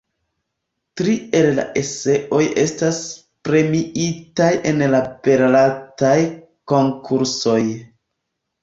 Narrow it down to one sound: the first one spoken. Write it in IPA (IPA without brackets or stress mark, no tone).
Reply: t